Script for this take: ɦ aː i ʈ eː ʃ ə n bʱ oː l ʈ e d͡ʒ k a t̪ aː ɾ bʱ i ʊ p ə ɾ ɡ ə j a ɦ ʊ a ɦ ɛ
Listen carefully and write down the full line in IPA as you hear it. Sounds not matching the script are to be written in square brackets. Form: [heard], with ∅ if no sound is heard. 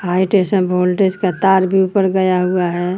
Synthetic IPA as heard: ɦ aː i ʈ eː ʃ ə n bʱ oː l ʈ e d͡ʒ k a t̪ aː ɾ bʱ i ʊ p ə ɾ ɡ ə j a ɦ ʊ a ɦ ɛ